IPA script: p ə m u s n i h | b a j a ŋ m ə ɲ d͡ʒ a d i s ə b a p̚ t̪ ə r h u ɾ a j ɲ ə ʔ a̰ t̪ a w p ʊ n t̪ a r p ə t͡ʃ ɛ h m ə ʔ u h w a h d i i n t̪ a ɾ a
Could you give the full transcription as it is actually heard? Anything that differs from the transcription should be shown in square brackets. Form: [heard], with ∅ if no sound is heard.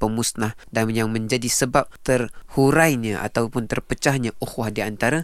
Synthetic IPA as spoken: p ə m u s n [a] h | [d] a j a ŋ m ə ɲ d͡ʒ a d i s ə b a p̚ t̪ ə r h u ɾ a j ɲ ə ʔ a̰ t̪ a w p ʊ n t̪ [ə] r p ə t͡ʃ [a] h [ɲ] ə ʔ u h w a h d i [a] n t̪ a ɾ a